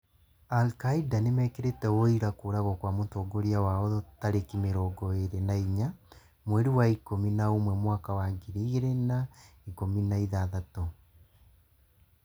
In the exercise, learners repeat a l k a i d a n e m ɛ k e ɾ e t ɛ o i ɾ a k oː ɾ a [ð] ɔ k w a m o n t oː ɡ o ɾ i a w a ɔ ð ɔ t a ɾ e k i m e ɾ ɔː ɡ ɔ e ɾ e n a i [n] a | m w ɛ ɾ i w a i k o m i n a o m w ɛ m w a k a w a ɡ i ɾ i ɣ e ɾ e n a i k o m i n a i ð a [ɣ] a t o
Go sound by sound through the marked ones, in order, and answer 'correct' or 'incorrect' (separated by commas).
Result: incorrect, incorrect, incorrect